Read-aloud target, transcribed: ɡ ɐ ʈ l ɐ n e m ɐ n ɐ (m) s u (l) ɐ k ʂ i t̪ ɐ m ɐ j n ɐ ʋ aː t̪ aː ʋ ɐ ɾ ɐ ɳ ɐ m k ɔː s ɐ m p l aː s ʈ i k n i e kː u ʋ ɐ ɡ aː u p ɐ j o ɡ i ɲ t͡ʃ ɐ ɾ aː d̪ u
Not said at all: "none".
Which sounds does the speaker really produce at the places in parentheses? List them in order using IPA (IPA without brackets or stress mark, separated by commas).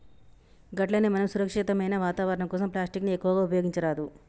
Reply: m, ɾ